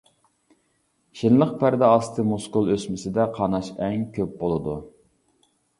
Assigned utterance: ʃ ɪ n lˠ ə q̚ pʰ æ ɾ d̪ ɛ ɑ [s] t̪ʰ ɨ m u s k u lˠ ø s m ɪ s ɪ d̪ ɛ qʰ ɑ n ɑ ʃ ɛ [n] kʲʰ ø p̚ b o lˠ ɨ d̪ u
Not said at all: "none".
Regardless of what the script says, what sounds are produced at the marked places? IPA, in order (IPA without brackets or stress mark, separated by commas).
s, ŋ